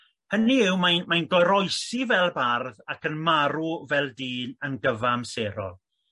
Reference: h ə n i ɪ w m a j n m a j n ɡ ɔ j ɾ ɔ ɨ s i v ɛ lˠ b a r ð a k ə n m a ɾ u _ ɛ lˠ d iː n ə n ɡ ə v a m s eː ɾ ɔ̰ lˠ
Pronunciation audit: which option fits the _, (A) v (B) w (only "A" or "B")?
A